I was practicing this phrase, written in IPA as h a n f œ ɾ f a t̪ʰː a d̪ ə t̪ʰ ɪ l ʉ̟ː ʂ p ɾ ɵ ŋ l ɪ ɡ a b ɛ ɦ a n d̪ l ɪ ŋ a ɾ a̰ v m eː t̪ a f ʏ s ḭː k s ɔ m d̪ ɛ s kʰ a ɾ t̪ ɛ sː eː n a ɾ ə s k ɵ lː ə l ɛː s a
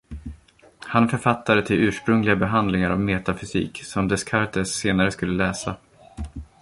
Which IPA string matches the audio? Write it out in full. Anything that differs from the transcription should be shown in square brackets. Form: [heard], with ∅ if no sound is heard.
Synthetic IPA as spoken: h a n f œ ɾ f a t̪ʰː a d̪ ə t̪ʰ ɪ l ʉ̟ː ʂ p ɾ ɵ ŋ l ɪ ɡ a b ɛ ɦ a n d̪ l ɪ ŋ a ɾ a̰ v m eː t̪ a f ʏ s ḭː k s ɔ m d̪ ɛ s kʰ a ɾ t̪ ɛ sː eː n a ɾ ə s k ɵ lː ə l ɛː s a